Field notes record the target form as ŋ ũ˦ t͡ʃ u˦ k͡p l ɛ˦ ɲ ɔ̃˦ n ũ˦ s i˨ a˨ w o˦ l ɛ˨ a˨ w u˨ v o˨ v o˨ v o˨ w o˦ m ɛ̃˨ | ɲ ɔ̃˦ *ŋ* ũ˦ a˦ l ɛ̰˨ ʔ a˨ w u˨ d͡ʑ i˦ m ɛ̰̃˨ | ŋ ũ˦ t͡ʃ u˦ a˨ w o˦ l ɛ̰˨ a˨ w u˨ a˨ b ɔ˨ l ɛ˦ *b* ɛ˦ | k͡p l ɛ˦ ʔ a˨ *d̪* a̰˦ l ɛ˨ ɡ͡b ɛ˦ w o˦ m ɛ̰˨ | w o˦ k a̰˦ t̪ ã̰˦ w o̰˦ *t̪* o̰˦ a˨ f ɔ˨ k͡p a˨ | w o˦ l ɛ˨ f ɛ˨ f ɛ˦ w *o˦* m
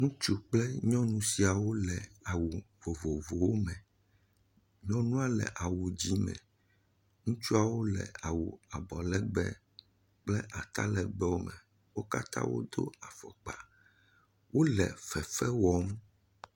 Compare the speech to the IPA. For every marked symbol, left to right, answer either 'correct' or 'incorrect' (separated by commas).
incorrect, incorrect, incorrect, incorrect, incorrect